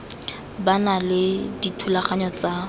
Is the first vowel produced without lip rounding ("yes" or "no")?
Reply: yes